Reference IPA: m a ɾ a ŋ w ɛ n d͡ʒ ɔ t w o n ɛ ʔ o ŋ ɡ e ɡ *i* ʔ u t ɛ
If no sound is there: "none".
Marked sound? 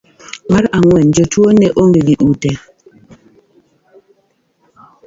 i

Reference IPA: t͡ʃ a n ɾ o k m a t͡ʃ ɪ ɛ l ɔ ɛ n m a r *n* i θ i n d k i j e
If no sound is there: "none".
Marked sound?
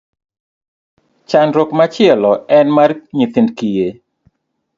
ɲ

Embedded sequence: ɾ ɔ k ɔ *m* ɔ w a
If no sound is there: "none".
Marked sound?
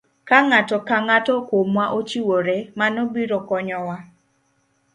ɲ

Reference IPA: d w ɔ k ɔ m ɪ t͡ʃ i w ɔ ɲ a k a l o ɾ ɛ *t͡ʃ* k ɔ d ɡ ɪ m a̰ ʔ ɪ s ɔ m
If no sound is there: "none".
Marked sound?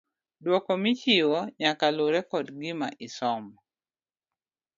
none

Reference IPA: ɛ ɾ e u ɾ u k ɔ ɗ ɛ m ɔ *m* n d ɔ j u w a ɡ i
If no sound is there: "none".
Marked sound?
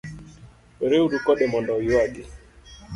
none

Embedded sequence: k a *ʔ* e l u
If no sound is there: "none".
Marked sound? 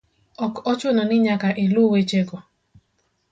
ʔ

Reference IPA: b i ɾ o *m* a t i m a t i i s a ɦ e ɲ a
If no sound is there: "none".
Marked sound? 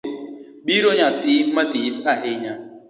ɲ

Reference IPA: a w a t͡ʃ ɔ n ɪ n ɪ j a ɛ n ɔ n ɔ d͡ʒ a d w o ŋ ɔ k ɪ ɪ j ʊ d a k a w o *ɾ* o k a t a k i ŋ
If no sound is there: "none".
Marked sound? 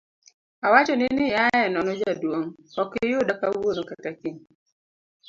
ɾ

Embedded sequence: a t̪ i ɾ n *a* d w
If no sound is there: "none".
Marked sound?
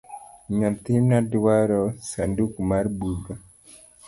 a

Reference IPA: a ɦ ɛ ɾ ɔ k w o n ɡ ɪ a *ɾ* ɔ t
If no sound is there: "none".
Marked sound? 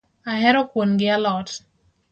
l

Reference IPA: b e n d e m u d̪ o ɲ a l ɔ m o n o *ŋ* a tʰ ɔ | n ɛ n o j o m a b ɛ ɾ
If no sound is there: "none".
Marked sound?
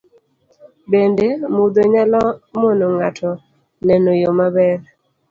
ŋ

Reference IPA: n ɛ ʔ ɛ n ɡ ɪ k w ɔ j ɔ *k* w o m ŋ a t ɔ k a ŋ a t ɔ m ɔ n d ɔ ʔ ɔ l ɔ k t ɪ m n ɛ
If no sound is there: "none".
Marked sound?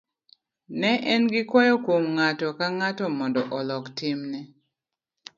k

